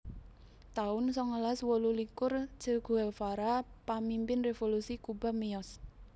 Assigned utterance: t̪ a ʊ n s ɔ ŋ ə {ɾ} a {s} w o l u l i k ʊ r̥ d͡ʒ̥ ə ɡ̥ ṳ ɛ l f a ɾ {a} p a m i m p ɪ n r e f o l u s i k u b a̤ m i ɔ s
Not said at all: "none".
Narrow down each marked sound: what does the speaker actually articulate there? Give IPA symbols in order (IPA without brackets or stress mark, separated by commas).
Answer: l, s, a